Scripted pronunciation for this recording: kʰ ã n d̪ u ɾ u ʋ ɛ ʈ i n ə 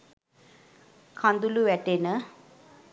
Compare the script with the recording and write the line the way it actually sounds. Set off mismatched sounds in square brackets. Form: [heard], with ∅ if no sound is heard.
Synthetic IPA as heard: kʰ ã n d̪ u [l] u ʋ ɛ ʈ [e] n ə